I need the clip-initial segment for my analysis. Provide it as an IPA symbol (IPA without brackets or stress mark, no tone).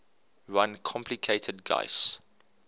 ɹ